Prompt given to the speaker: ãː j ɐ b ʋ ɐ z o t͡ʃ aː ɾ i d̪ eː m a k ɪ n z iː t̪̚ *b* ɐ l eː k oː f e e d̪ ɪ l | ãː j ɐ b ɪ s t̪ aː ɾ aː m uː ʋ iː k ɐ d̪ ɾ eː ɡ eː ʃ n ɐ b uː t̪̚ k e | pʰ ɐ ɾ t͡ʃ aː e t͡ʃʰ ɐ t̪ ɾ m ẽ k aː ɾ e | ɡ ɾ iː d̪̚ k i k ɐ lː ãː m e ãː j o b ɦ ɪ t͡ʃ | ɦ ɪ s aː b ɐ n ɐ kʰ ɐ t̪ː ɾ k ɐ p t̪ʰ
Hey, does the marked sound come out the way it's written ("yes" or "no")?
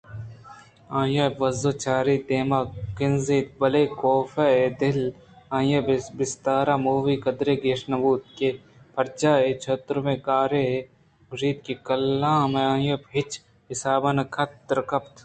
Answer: yes